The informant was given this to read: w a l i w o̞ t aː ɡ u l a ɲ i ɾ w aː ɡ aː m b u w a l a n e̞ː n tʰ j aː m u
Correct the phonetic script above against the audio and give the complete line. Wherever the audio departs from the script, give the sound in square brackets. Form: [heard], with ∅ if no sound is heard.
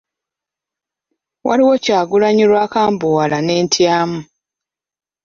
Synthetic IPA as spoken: w a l i w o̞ [c] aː ɡ u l a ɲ i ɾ w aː [k] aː m b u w a l a n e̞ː n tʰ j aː m u